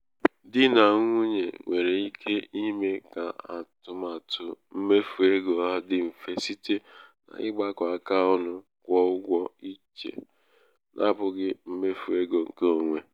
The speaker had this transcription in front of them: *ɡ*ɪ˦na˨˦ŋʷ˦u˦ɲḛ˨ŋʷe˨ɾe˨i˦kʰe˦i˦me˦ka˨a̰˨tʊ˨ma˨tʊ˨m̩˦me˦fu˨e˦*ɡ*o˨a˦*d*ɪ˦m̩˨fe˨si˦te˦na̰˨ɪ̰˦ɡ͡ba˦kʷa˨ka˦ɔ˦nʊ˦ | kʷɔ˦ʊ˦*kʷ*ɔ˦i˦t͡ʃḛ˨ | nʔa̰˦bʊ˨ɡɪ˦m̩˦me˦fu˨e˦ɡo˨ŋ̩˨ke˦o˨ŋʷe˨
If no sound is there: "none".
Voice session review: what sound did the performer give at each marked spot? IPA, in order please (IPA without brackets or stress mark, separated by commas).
d, ɡ, d, ɡʷ